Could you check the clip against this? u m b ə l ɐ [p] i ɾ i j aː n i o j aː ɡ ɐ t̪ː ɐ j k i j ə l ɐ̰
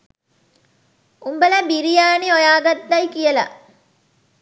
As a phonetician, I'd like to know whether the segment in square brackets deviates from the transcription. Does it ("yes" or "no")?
yes